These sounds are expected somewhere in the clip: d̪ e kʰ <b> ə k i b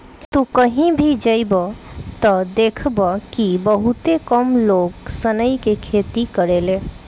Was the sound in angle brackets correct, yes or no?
yes